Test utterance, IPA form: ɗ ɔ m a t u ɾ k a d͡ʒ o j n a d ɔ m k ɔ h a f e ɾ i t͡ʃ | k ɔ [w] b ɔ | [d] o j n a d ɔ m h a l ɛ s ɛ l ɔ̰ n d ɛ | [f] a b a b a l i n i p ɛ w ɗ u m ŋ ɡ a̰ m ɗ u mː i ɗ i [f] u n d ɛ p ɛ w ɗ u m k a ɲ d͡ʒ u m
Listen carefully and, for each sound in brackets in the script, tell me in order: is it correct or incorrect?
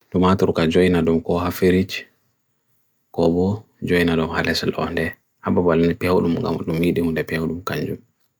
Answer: incorrect, incorrect, incorrect, incorrect

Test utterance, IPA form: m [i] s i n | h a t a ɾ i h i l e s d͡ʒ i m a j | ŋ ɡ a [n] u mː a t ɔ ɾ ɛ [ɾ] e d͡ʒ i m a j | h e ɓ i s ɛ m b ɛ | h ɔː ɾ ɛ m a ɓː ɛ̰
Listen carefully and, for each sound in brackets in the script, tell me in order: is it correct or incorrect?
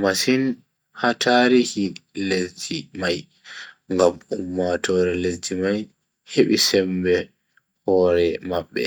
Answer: incorrect, incorrect, incorrect

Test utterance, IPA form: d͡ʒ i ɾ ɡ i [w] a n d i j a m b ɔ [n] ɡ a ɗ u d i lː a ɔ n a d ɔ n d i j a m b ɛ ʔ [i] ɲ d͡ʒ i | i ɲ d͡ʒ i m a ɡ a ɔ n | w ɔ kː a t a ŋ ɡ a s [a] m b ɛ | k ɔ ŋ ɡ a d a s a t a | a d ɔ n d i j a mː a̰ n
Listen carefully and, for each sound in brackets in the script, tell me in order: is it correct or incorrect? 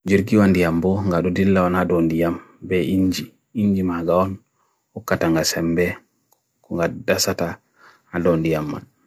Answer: correct, incorrect, correct, incorrect

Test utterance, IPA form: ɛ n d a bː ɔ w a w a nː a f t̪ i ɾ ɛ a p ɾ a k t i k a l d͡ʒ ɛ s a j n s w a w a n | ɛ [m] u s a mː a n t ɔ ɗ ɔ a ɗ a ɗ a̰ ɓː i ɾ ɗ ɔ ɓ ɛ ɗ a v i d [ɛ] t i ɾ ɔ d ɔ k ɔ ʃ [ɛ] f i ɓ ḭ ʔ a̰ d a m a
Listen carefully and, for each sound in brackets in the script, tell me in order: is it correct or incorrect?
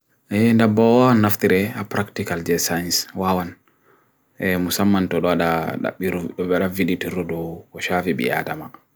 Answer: correct, incorrect, incorrect

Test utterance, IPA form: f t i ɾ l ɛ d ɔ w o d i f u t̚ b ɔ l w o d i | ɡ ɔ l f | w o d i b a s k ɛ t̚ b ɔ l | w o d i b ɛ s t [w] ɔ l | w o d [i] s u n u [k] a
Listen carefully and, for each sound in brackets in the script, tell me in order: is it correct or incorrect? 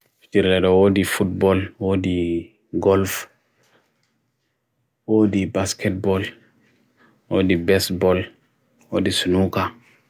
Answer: incorrect, correct, correct

